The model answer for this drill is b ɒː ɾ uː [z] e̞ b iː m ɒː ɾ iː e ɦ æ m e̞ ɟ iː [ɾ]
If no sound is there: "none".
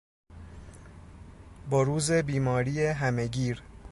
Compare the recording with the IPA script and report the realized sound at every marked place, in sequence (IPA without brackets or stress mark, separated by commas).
z, ɾ